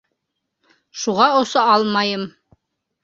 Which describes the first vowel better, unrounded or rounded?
rounded